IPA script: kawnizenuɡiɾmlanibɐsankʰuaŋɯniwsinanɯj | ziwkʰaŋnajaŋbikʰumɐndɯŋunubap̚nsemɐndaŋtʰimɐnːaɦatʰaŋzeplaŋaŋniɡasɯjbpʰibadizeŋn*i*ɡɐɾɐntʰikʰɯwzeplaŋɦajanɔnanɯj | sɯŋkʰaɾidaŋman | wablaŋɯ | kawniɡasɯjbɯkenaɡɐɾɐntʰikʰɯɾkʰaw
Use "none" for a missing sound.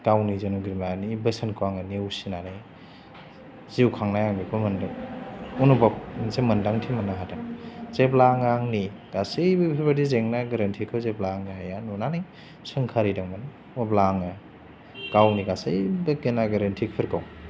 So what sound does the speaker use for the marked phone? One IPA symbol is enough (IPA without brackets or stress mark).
a